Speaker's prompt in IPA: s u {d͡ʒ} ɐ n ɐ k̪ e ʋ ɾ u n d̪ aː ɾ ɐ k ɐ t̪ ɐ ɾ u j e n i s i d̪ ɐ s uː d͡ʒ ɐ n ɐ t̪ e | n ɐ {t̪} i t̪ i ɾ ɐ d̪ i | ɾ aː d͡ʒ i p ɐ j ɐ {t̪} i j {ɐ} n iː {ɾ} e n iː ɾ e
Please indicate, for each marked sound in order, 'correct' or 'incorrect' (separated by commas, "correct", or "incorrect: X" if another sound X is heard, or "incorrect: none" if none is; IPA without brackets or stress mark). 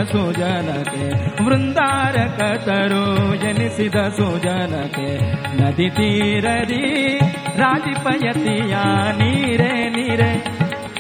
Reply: correct, incorrect: d̪, correct, incorrect: a, correct